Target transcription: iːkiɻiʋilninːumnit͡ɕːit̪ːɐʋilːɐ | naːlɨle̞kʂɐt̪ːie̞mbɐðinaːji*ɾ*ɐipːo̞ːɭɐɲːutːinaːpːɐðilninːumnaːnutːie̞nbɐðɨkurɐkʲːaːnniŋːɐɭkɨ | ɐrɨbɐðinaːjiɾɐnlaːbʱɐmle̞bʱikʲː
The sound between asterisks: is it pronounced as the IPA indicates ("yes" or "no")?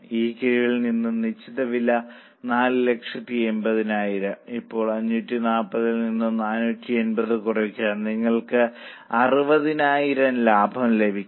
yes